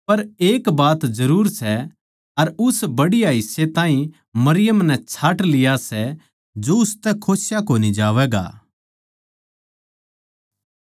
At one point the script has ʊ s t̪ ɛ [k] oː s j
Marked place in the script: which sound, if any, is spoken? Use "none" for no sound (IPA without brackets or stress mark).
kʰ